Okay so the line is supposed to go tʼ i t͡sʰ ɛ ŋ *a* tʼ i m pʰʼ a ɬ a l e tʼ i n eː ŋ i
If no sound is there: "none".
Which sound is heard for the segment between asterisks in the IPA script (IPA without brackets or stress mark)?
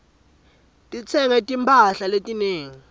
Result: ɛ